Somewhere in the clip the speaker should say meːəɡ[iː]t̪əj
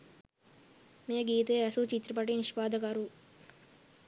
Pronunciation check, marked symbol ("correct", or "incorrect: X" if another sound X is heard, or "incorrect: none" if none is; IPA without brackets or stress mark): correct